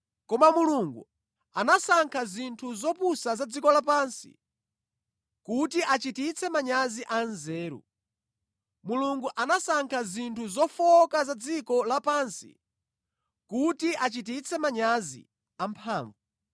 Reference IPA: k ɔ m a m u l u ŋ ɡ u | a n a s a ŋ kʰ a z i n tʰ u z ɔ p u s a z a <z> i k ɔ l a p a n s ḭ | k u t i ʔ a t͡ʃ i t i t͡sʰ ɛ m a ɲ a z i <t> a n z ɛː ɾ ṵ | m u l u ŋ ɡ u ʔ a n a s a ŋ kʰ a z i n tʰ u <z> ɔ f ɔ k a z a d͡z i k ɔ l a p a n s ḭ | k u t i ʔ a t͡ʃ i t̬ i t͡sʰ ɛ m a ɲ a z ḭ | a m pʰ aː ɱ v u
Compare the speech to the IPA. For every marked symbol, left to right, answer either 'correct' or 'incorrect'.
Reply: incorrect, incorrect, correct

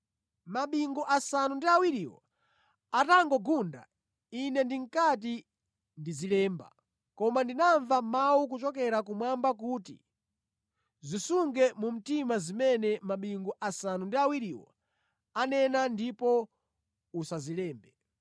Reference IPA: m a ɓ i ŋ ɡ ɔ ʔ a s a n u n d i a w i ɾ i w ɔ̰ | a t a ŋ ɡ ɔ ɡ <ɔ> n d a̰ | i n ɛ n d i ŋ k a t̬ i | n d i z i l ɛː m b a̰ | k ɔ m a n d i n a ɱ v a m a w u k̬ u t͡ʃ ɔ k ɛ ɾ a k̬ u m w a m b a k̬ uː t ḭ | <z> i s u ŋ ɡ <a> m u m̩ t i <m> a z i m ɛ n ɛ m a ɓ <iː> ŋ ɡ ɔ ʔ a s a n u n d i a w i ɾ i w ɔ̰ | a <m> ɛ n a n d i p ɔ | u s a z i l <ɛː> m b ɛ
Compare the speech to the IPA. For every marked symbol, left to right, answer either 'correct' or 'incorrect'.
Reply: incorrect, correct, incorrect, correct, incorrect, incorrect, correct

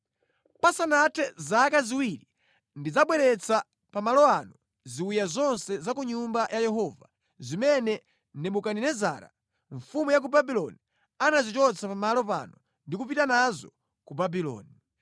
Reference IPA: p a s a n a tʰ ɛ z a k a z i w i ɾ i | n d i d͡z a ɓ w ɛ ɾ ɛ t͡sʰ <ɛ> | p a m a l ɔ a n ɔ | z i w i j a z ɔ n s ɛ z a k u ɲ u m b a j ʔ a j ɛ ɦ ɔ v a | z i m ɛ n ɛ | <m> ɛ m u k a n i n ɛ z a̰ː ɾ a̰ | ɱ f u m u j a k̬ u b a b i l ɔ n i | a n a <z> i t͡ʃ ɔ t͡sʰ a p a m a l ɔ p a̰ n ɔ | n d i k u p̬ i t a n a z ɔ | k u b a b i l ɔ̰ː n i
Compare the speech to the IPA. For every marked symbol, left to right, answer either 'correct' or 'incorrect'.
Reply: incorrect, incorrect, correct

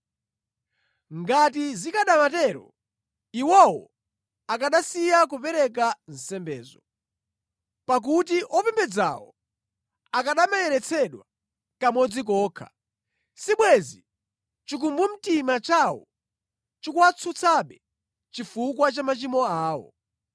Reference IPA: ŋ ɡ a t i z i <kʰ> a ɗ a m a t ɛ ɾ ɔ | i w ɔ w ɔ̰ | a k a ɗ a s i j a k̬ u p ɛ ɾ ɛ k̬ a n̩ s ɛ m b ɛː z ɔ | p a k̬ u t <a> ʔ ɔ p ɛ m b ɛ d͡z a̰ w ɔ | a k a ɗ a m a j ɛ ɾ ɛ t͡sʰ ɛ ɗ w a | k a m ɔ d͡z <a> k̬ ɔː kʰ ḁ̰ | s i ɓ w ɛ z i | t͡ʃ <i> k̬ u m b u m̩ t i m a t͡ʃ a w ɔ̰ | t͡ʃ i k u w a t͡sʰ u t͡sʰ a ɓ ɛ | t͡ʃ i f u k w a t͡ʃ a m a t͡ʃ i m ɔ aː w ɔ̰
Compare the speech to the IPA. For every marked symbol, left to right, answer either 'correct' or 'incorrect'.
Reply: incorrect, incorrect, incorrect, correct

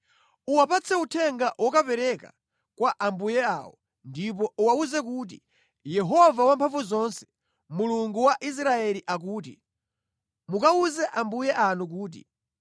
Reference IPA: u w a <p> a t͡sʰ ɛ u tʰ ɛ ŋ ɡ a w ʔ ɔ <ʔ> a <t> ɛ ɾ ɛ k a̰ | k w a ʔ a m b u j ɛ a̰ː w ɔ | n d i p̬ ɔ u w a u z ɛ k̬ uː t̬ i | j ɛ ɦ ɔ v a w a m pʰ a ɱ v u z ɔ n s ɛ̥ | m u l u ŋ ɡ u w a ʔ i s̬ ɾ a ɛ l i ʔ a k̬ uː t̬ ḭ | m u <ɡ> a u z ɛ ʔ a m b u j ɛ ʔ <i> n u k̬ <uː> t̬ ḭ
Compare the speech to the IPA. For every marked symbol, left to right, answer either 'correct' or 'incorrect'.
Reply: correct, incorrect, incorrect, incorrect, incorrect, correct

